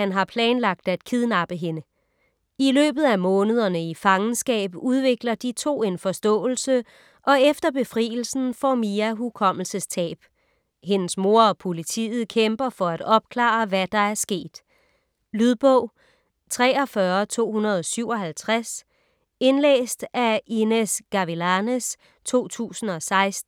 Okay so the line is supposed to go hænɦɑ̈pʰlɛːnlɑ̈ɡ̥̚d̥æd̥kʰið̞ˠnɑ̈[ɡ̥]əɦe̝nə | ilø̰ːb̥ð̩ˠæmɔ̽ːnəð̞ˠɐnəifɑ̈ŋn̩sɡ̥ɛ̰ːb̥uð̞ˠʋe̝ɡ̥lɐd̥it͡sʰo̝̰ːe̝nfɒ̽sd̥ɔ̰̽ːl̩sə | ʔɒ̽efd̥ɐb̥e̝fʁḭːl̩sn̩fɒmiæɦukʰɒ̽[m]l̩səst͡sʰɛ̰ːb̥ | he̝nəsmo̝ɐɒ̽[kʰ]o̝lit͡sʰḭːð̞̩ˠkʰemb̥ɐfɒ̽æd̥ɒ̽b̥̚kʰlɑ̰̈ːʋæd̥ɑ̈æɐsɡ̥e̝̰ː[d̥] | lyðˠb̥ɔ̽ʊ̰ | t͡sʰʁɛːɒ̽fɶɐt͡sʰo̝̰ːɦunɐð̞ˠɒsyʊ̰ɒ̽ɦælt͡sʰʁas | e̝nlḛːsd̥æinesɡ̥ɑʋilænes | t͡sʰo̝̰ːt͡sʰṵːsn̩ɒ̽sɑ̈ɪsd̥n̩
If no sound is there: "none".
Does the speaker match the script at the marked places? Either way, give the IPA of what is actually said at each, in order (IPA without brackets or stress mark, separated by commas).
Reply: b̥, m, pʰ, d̥